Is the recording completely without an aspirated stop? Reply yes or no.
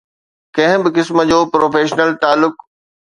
yes